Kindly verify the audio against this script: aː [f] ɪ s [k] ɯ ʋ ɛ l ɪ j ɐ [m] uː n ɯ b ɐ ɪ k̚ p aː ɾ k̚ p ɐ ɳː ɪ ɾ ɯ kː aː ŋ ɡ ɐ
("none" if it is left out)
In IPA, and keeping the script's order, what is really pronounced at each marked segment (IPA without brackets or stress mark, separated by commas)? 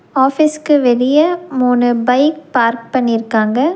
f, k, m